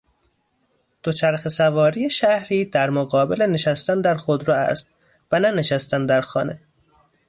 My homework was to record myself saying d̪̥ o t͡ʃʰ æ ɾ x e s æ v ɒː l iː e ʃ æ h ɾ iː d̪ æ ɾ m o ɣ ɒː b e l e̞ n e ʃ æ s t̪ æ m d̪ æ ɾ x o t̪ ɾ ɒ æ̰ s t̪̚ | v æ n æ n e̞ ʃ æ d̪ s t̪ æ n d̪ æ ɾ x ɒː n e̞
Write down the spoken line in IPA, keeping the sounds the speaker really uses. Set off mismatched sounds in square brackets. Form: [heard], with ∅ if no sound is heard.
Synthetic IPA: d̪̥ o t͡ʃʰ æ ɾ x e s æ v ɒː [ɾ] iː e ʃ æ h ɾ iː d̪ æ ɾ m o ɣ ɒː b e l e̞ n e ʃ æ s t̪ æ [n] d̪ æ ɾ x o [d̪] ɾ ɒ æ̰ s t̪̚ | v æ n æ n e̞ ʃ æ [∅] s t̪ æ n d̪ æ ɾ x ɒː n e̞

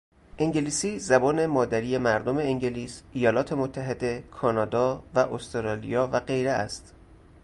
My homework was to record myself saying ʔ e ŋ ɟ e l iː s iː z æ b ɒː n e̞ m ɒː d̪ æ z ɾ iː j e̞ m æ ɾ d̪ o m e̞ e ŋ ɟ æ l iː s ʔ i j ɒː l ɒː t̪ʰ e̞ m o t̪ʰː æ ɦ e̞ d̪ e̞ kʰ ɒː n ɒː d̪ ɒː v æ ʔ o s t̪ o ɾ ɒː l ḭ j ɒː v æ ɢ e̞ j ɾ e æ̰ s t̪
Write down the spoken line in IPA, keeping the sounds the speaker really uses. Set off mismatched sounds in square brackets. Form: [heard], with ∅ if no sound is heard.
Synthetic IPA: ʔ e ŋ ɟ e l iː s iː z æ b ɒː n e̞ m ɒː d̪ æ [∅] ɾ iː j e̞ m æ ɾ d̪ o m e̞ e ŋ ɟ [e] l iː s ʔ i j ɒː l ɒː t̪ʰ e̞ m o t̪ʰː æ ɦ e̞ d̪ e̞ kʰ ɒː n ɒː d̪ ɒː v æ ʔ o s t̪ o ɾ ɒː l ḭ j ɒː v æ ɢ e̞ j ɾ e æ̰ s t̪

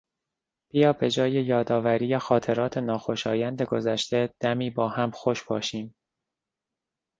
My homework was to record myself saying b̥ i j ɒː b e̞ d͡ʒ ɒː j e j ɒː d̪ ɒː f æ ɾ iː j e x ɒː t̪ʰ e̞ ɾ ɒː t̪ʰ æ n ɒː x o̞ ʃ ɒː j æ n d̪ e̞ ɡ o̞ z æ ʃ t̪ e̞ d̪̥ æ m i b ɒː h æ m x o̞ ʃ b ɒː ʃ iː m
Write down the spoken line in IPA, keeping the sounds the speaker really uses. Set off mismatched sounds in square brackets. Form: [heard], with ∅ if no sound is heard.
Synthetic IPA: b̥ i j ɒː b e̞ d͡ʒ ɒː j e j ɒː d̪ ɒː [v] æ ɾ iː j e x ɒː t̪ʰ e̞ ɾ ɒː t̪ʰ [e] n ɒː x o̞ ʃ ɒː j æ n d̪ e̞ ɡ o̞ z æ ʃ t̪ e̞ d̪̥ æ m [iː] b ɒː h æ m x o̞ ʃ b ɒː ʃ iː m

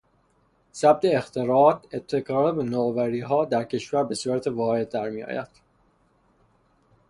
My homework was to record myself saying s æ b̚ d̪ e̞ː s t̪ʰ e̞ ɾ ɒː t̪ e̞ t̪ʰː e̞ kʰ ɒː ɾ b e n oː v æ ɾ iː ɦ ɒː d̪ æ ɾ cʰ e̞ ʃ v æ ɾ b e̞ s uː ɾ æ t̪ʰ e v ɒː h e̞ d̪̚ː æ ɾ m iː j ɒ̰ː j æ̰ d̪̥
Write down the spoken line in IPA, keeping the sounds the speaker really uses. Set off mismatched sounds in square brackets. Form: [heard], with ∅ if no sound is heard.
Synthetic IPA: s æ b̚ d̪ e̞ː [x] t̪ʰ e̞ ɾ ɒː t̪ e̞ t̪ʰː e̞ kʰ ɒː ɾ b e n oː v æ ɾ iː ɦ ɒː d̪ æ ɾ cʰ e̞ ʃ v æ ɾ b e̞ s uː ɾ æ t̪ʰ e v ɒː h e̞ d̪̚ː æ ɾ m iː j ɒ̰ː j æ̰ d̪̥

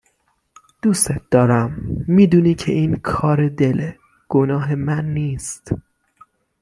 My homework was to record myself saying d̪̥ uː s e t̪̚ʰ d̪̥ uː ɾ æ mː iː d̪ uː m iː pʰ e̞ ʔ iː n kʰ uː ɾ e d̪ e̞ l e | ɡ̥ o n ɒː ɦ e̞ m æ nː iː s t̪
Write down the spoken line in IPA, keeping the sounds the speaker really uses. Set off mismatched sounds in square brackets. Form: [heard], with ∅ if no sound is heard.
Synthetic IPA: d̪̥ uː s e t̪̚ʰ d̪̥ [ɒː] ɾ æ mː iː d̪ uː [n] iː [cʰ] e̞ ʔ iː n kʰ [ɒː] ɾ e d̪ e̞ l e | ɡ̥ o n ɒː ɦ e̞ m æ nː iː s t̪

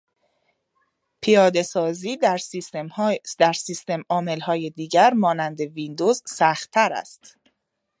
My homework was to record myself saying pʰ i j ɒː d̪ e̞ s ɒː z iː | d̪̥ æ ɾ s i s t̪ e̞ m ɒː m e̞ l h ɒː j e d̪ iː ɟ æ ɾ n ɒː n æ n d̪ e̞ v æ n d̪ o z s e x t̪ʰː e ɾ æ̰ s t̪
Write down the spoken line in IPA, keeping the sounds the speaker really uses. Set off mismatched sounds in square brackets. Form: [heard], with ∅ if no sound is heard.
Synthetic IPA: pʰ i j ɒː d̪ e̞ s ɒː z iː | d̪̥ æ ɾ s i s t̪ e̞ m ɒː m e̞ l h ɒː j e d̪ iː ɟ æ ɾ [m] ɒː n æ n d̪ e̞ v [i] n d̪ o z s [æ] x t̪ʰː [æ] ɾ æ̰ s t̪

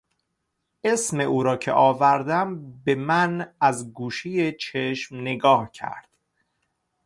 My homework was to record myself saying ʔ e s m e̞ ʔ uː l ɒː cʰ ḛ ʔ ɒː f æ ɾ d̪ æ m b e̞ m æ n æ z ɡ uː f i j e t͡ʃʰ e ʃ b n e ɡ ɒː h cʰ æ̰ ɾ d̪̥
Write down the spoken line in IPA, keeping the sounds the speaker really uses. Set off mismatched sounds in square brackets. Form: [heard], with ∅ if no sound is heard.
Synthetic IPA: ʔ e s m e̞ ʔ uː [ɾ] ɒː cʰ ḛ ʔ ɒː [v] æ ɾ d̪ æ m b e̞ m æ n æ z ɡ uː [ʃ] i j e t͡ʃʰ e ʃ [m] n e ɡ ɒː h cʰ æ̰ ɾ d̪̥

